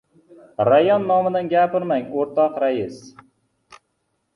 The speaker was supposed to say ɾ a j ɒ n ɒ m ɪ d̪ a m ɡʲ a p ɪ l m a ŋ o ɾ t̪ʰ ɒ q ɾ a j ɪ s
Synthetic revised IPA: ɾ a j ɒ nː ɒ m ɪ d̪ a n ɡʲ a p ɪ ɾ m a ŋ o ɾ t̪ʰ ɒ q ɾ a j ɪ s